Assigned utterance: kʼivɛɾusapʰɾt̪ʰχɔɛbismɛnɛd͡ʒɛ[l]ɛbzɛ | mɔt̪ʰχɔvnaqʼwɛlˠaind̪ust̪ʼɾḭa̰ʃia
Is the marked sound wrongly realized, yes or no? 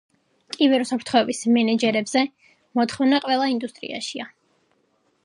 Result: yes